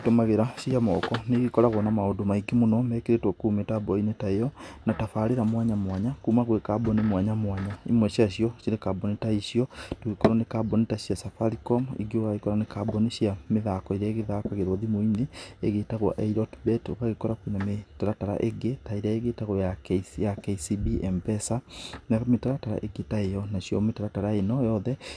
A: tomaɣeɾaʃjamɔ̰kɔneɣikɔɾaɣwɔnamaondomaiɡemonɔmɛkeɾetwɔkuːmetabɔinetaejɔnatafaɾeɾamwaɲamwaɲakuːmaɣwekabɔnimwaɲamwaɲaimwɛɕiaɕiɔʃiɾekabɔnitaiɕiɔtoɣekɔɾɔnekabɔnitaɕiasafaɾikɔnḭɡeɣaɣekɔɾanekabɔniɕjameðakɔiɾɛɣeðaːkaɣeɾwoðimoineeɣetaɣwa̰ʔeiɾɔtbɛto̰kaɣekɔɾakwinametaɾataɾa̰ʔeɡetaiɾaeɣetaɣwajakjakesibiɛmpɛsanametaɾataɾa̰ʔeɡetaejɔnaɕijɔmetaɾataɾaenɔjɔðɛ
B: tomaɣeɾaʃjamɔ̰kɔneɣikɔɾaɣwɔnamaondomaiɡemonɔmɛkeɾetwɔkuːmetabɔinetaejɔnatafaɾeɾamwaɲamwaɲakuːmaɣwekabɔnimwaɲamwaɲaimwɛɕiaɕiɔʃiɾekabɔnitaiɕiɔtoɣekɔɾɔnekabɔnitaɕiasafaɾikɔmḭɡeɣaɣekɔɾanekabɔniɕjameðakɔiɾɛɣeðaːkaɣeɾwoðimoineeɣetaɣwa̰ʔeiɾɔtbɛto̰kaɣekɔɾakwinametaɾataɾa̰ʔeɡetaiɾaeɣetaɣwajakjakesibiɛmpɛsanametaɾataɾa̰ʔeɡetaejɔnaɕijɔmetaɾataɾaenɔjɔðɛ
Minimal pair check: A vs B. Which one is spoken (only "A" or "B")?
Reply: B